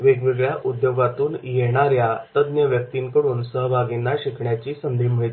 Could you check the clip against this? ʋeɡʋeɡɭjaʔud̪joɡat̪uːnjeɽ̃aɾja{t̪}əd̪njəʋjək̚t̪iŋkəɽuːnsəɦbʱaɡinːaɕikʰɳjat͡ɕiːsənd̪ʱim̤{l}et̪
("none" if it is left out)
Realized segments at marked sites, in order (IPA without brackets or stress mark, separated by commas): t̪, ɭ